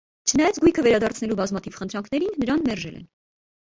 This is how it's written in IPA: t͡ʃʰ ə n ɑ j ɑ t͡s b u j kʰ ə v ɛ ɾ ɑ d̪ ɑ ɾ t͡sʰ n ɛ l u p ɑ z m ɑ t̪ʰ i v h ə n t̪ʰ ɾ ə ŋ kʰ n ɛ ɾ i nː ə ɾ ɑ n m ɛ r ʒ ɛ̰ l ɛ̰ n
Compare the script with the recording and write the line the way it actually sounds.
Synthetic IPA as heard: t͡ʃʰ ə n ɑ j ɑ t͡s ɡ u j kʰ ə v ɛ ɾ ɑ d̪ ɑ ɾ t͡sʰ n ɛ l u b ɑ z m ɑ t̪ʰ i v χ ə n t̪ʰ ɾ ɑ ŋ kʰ n ɛ ɾ i nː ə ɾ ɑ n m ɛ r ʒ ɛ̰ l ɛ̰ n

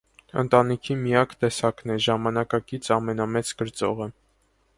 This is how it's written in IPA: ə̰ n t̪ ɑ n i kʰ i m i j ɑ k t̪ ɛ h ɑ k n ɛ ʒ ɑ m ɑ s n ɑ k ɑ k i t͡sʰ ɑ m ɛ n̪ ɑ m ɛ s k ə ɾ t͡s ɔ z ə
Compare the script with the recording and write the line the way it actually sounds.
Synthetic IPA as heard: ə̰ n t̪ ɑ n i kʰ i m i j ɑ k t̪ ɛ s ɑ k n ɛ ʒ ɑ m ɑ n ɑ k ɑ k i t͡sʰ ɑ m ɛ n̪ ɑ m ɛ t͡s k ə ɾ t͡s ɔ ʁ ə

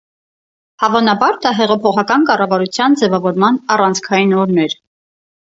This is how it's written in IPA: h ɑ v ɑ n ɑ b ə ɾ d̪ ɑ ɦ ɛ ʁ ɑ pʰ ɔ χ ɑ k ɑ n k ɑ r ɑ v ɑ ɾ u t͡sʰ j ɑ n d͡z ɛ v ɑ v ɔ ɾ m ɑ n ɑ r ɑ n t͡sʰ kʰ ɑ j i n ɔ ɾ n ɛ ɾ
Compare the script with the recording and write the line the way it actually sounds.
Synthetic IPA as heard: h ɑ v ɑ n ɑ b ɑ ɾ d̪ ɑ ɦ ɛ ʁ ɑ pʰ ɔ χ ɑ k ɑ n k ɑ r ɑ v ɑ ɾ u t͡sʰ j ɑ n d͡z ɛ v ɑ v ɔ ɾ m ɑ n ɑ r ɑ n t͡sʰ kʰ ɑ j i n ɔ ɾ n ɛ ɾ

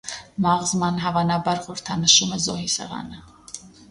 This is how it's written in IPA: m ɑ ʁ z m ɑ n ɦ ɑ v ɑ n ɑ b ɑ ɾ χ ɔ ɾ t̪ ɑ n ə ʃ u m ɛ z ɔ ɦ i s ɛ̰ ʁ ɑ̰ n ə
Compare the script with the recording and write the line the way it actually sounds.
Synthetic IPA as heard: m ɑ ʁ z m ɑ n ɦ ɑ v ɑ n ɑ b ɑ ɾ χ ɔ ɾ t̪ʰ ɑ n ə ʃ u m ɛ z ɔ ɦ i s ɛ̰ ʁ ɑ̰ n ə

